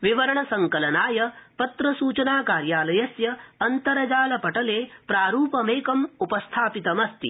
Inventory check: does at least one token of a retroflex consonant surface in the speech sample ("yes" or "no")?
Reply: yes